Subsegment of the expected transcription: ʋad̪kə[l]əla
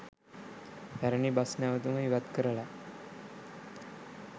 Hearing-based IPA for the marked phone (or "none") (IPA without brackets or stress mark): ɾ